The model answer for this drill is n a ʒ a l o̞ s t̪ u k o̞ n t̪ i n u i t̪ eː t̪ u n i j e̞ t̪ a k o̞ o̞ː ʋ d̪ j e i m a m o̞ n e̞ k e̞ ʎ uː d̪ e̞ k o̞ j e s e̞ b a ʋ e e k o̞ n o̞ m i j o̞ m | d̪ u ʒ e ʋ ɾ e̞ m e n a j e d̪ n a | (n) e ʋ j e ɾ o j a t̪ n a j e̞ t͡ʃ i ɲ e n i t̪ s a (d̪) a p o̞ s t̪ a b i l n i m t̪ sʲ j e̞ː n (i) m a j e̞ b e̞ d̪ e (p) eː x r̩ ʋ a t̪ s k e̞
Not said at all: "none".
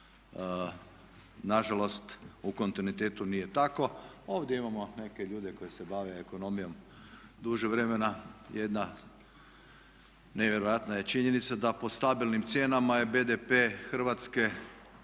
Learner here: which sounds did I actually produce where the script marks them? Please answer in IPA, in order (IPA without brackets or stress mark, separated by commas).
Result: n, d̪, a, p